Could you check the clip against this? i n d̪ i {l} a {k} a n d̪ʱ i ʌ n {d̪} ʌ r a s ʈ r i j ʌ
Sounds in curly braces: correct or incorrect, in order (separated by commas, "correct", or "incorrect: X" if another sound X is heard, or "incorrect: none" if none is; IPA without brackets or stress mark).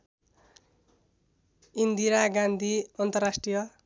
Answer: incorrect: ɾ, incorrect: ɡ, incorrect: t̪